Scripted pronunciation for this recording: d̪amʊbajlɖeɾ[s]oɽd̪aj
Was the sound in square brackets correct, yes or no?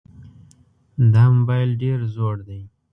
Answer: no